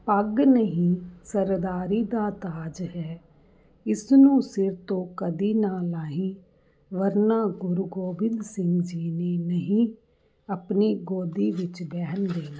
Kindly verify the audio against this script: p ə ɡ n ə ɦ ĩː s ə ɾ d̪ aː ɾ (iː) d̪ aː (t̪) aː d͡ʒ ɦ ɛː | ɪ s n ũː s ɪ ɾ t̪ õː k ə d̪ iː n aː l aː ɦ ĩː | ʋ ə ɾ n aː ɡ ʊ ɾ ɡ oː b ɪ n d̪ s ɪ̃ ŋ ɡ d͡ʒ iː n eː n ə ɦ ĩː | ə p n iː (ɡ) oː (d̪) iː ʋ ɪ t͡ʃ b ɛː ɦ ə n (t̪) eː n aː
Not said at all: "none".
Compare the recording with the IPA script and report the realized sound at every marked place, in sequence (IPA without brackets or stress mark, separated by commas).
iː, t̪, ɡ, d̪, d̪